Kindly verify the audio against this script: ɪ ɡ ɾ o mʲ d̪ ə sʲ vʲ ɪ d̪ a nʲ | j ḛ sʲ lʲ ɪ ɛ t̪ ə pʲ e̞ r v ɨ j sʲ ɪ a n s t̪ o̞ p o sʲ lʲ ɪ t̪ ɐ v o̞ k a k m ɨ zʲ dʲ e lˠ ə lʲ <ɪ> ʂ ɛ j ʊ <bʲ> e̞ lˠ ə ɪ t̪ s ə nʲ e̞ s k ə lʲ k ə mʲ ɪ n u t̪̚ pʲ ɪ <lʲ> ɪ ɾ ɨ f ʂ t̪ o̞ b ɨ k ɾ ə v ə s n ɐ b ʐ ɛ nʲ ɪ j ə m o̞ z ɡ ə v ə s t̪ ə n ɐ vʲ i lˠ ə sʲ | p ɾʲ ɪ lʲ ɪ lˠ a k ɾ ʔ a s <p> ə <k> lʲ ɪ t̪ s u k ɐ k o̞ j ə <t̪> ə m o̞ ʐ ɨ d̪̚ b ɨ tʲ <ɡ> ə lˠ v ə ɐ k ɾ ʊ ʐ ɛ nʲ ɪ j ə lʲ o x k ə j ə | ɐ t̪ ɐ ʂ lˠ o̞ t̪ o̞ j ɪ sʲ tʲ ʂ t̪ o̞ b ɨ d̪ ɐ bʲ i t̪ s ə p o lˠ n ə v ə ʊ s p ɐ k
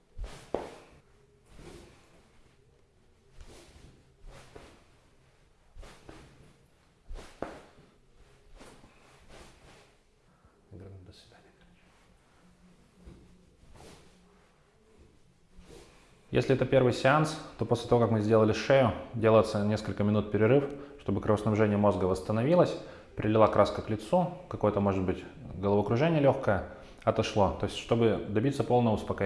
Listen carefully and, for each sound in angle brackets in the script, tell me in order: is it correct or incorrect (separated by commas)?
correct, incorrect, incorrect, incorrect, correct, correct, correct